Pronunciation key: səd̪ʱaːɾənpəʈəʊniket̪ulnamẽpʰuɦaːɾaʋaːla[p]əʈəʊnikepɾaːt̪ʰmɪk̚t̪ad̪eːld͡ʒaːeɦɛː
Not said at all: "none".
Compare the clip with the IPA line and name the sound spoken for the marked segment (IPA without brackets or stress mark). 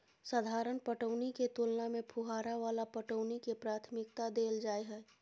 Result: p